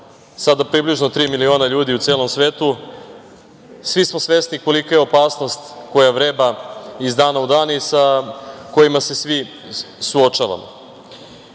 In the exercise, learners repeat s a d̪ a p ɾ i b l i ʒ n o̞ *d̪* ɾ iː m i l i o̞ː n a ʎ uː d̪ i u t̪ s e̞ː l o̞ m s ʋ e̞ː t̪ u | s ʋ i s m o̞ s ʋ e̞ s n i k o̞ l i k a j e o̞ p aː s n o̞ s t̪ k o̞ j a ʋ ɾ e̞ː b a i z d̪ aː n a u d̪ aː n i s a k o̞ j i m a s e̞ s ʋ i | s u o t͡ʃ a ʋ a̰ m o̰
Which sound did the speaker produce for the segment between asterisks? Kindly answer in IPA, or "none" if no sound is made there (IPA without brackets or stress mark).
t̪